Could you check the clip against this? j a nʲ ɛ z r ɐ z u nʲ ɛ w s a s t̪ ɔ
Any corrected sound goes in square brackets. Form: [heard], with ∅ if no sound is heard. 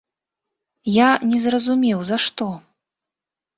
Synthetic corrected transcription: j a nʲ ɛ z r ɐ z u [mʲ] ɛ w [z] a [ʂ] t̪ ɔ